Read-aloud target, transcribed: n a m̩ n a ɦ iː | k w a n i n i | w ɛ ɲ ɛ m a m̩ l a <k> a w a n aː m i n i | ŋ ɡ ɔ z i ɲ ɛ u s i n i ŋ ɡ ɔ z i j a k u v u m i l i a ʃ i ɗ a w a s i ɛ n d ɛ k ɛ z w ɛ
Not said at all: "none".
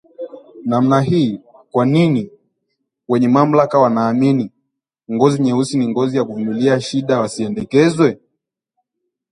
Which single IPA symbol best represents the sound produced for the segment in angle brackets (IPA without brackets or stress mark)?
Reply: k